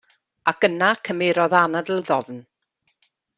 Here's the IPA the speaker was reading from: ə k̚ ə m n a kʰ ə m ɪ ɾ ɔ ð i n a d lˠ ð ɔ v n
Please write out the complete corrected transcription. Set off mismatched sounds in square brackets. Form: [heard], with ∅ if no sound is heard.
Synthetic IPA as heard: [a] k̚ ə [∅] n a kʰ ə m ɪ ɾ ɔ ð [a] n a d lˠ ð ɔ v n